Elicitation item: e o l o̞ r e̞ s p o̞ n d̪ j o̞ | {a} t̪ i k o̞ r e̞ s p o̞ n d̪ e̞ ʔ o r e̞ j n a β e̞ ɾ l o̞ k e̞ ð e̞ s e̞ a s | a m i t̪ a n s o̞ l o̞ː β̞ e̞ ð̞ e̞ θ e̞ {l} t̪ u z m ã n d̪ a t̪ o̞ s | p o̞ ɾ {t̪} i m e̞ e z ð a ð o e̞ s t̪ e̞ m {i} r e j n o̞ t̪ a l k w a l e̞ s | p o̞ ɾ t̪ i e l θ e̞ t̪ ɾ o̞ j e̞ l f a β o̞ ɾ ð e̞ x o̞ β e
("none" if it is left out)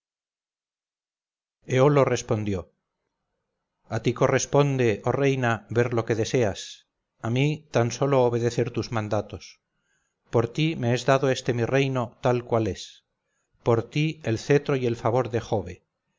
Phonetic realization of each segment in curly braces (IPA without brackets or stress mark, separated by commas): a, ɾ, t̪, i